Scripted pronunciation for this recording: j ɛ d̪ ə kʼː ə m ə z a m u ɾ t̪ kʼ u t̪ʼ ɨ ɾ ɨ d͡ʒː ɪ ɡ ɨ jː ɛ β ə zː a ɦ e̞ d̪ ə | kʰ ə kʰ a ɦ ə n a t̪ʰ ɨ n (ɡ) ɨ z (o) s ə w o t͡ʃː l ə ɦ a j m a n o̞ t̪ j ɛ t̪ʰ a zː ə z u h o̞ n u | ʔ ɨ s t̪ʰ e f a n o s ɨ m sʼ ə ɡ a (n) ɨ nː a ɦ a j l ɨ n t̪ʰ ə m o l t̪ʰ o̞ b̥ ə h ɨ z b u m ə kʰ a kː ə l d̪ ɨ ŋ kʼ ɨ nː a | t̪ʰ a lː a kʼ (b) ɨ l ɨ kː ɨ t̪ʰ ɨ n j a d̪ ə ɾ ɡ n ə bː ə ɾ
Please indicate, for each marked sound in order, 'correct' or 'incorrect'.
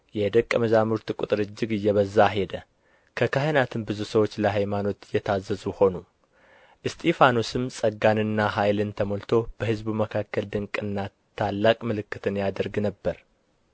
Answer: incorrect, incorrect, correct, incorrect

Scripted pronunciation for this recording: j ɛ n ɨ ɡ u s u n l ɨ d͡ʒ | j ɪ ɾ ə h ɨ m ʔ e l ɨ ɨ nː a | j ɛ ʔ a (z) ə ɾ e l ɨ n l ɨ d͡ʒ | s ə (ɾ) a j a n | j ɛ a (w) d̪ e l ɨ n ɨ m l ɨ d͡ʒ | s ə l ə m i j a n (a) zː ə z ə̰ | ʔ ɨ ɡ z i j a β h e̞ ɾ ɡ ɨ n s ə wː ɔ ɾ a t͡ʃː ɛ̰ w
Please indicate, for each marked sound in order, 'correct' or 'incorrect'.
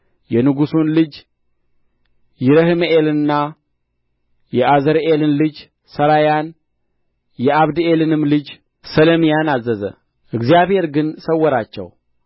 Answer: correct, correct, incorrect, correct

